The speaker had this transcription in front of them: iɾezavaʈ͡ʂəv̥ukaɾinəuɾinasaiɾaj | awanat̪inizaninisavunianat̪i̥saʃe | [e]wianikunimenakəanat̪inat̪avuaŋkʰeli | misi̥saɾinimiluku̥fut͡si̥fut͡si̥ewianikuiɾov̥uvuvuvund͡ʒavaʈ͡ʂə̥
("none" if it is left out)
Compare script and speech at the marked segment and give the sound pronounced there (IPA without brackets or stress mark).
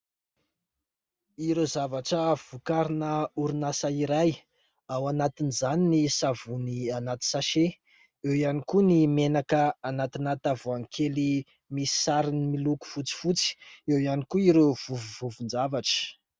e